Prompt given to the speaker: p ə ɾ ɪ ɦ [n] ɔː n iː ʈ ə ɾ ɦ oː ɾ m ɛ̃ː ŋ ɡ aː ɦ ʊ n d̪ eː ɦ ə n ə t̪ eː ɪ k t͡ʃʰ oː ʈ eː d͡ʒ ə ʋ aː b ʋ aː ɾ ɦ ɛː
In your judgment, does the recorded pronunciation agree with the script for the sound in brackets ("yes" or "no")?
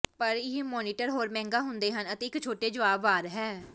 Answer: no